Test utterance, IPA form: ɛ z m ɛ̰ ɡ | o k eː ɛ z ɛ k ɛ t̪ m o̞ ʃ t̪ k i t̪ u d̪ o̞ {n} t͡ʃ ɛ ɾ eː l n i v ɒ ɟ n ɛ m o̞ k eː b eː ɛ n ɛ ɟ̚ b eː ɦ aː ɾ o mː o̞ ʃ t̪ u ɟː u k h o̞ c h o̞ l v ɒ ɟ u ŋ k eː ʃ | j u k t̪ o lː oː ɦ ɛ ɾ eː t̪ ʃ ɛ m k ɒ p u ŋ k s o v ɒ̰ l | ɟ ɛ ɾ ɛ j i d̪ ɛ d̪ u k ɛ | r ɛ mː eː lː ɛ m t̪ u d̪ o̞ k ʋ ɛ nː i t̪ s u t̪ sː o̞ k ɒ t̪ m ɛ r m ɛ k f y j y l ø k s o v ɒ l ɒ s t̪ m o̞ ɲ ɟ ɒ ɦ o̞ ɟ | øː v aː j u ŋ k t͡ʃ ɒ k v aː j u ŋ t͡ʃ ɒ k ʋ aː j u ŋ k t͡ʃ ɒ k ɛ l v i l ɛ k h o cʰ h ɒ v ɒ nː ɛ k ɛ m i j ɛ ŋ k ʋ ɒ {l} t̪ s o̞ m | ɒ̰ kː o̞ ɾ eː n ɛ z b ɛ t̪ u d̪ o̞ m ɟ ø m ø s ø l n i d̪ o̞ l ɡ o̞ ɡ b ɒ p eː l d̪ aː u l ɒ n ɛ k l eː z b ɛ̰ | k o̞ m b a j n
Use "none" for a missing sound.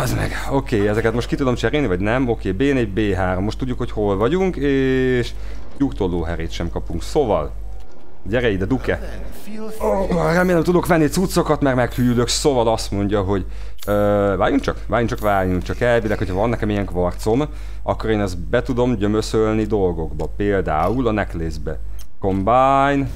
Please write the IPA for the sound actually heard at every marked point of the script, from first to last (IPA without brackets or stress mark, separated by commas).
m, r